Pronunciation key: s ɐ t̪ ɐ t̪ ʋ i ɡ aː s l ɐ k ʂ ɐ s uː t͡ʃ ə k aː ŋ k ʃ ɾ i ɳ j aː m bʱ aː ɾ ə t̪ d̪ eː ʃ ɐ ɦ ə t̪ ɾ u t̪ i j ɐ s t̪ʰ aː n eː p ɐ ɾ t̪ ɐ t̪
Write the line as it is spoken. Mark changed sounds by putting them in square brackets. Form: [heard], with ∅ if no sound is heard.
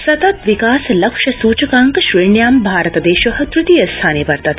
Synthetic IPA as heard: s ɐ t̪ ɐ t̪ ʋ i [k] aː s l ɐ k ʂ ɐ s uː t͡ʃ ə k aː ŋ k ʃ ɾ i ɳ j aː m bʱ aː ɾ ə t̪ d̪ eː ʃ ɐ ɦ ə t̪ ɾ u t̪ i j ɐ s t̪ʰ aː n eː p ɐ ɾ t̪ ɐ t̪